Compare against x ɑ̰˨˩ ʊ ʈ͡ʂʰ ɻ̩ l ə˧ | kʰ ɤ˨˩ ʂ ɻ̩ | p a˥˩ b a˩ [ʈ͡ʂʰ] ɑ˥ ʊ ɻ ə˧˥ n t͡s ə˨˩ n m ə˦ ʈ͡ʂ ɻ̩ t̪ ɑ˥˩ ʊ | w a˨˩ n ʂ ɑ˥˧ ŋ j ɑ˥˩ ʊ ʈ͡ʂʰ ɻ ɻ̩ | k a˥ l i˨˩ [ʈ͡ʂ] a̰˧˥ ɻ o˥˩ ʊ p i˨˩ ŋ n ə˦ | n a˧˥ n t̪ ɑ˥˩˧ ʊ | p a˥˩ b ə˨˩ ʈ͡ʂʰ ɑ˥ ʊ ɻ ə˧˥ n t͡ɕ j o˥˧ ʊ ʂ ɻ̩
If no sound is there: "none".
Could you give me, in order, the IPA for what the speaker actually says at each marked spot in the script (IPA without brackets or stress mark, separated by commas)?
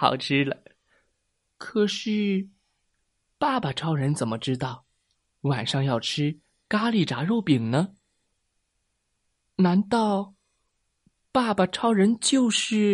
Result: ʈ͡ʂʰ, ʈ͡ʂ